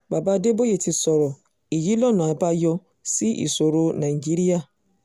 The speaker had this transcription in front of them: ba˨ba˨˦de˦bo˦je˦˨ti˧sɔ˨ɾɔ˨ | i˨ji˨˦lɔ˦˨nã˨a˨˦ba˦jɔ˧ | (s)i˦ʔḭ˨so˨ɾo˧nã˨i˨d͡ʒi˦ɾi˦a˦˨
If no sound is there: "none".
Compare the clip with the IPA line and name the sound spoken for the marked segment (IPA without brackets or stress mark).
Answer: s